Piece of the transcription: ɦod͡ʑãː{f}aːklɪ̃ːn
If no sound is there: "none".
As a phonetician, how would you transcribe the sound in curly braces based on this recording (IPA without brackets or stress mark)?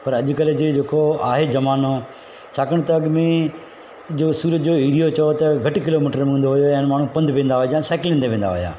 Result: s